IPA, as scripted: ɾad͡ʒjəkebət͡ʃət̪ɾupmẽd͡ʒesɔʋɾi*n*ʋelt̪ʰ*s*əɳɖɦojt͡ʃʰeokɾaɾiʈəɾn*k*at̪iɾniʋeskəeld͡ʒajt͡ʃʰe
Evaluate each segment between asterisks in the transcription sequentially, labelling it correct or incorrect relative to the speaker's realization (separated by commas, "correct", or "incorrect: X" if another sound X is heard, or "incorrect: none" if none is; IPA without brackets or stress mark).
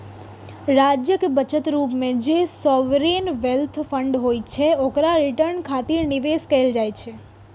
correct, incorrect: f, incorrect: kʰ